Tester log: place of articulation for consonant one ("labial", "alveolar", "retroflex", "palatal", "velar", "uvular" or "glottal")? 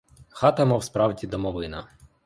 velar